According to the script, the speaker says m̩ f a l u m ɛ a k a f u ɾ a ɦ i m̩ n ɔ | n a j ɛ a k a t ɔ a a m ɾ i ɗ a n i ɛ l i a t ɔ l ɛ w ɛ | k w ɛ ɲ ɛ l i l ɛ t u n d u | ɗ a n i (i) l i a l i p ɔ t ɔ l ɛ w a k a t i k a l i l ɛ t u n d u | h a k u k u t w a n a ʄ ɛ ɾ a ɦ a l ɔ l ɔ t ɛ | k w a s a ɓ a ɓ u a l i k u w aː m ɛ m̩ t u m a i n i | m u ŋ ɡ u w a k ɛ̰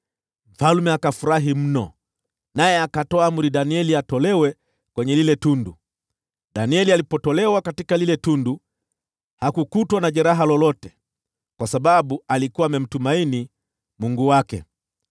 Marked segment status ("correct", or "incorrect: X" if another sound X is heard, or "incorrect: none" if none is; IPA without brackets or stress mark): incorrect: ɛ